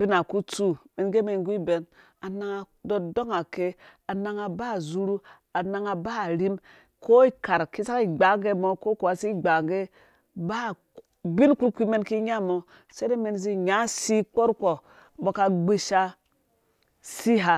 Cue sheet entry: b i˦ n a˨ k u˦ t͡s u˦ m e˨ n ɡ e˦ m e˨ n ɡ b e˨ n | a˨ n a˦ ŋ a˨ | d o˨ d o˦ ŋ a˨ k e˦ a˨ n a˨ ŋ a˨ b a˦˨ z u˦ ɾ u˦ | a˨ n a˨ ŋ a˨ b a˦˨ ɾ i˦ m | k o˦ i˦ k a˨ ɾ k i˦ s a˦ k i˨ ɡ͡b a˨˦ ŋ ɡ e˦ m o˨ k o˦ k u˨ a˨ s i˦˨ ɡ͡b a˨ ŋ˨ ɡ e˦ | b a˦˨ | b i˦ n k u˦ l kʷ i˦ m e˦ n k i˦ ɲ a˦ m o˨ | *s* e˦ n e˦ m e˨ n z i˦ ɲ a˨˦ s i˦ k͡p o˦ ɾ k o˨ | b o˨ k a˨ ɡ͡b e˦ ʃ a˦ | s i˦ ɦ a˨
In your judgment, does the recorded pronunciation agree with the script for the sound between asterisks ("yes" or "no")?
yes